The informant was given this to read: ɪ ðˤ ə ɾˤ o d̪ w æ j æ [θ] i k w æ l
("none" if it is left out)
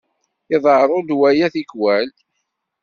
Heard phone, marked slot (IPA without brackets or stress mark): θ